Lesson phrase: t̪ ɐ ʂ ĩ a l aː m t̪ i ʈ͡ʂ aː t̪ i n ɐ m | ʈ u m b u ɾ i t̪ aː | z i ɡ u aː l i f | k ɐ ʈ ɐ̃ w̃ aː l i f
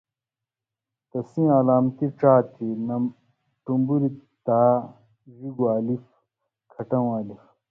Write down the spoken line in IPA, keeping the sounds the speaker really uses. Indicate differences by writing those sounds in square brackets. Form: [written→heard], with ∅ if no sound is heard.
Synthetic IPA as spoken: t̪ ɐ [ʂ→s] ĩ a l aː m t̪ i ʈ͡ʂ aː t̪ i n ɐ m | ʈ u m b u ɾ i t̪ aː | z i ɡ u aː l i f | [k→kʰ] ɐ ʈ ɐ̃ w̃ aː l i f